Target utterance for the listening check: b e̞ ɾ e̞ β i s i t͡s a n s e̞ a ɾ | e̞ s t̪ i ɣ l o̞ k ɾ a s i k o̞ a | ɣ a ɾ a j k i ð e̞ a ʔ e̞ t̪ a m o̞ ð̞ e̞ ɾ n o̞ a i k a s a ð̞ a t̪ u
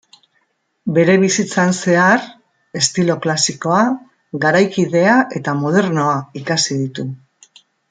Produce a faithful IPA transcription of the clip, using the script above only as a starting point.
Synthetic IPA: b e̞ ɾ e̞ β i s i t͡s a n s e̞ a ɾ | e̞ s t̪ i l o̞ k l a s i k o̞ a | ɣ a ɾ a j k i ð e̞ a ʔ e̞ t̪ a m o̞ ð̞ e̞ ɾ n o̞ a i k a s i ð̞ i t̪ u